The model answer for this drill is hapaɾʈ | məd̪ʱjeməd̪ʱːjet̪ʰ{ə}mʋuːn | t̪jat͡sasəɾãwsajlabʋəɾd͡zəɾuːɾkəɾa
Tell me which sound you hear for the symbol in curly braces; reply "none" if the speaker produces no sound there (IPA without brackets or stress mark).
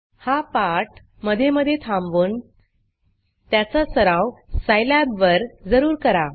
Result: a